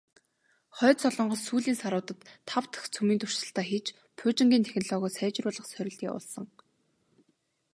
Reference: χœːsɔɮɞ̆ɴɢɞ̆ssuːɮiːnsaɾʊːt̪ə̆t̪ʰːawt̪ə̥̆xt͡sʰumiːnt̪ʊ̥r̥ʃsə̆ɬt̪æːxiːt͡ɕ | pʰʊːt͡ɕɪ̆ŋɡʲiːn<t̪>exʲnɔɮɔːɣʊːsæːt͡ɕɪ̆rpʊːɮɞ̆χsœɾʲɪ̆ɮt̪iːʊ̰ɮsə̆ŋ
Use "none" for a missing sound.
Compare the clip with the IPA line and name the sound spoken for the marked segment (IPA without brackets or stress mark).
t̪ʰ